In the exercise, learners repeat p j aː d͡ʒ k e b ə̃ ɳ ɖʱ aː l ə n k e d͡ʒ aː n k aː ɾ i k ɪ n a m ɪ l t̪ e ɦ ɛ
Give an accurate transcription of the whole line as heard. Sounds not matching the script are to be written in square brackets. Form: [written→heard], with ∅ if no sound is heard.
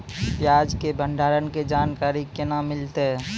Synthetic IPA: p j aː d͡ʒ k e b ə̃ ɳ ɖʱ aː [l→ɾ] ə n k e d͡ʒ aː n k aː ɾ i k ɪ n a m ɪ l t̪ e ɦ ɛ

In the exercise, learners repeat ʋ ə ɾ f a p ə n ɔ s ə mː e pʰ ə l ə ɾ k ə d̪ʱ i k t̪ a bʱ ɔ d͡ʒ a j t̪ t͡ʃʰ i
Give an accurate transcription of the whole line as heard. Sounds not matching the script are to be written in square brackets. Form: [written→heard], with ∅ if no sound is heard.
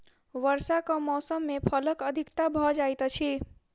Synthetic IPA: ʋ ə ɾ [f→s] a [p→k] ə [n→m] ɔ s ə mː e pʰ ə l ə [ɾ→∅] k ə d̪ʱ i k t̪ a bʱ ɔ d͡ʒ a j t̪ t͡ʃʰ i

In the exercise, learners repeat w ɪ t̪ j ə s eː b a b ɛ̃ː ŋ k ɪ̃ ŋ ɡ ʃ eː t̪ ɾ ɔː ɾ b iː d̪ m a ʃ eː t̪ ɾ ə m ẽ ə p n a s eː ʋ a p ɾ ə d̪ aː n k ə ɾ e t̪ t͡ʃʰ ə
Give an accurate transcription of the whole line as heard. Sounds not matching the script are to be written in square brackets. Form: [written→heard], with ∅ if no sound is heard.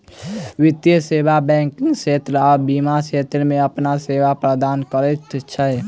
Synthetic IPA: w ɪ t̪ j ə s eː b a b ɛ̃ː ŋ k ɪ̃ ŋ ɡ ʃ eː t̪ ɾ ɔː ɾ b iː [d̪→∅] m a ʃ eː t̪ ɾ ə m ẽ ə p n a s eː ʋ a p ɾ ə d̪ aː n k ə ɾ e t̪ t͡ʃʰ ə

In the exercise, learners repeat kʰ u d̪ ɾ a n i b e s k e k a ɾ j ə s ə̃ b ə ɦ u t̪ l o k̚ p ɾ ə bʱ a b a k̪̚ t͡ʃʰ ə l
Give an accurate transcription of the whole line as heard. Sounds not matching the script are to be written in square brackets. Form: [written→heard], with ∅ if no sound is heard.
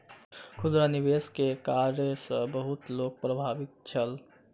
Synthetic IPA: kʰ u d̪ ɾ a n i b e s k e k a ɾ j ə s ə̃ b ə ɦ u t̪ l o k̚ p ɾ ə bʱ a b [a→i] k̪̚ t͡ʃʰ ə l

